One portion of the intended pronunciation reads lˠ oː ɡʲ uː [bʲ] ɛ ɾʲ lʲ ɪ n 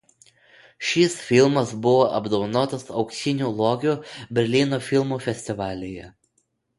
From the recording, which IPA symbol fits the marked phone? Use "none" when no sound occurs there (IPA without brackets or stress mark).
bʲ